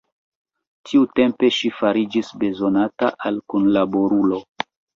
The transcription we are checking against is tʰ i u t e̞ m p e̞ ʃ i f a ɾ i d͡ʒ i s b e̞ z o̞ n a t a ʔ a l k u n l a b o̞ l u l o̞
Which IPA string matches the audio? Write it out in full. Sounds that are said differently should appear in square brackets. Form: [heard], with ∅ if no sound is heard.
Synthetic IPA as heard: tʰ i u t e̞ m p e̞ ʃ i f a ɾ i d͡ʒ i s b e̞ z o̞ n a t a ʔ a l k u n l a b o̞ [ɾ] u l o̞